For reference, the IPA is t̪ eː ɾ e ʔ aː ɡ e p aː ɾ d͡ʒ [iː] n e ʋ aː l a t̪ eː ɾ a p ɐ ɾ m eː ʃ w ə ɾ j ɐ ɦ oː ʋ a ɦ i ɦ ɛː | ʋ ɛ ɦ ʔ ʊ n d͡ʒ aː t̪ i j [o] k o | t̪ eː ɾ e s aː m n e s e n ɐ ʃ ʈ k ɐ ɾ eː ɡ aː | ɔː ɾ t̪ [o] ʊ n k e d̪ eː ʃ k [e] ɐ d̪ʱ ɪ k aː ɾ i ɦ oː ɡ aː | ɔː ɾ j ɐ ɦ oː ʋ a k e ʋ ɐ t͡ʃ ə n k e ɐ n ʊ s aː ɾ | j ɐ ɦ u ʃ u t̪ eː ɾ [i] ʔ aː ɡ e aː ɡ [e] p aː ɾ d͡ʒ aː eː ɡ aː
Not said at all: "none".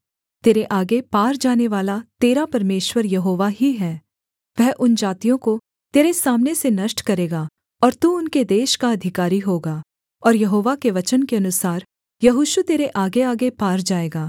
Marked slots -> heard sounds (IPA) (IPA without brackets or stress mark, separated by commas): aː, õ, u, a, e, e